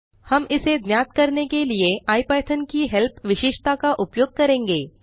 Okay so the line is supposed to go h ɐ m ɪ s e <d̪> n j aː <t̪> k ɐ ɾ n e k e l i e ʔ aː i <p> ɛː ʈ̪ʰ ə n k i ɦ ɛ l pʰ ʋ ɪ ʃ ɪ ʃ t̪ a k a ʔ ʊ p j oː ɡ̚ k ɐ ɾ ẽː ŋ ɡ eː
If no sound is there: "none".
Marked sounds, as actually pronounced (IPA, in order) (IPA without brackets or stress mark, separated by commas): d̪, t̪, p